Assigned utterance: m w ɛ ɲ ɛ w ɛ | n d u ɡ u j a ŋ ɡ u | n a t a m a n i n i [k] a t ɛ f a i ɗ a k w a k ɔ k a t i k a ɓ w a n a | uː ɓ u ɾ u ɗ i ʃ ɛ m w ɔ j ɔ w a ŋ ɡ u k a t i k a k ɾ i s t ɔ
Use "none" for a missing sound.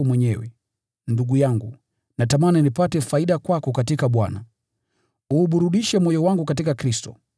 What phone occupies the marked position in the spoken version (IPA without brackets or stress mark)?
p